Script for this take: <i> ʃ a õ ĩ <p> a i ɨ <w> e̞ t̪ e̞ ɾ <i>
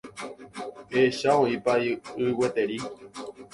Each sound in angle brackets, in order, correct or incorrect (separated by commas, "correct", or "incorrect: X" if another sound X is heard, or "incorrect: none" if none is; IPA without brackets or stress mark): incorrect: e, correct, correct, correct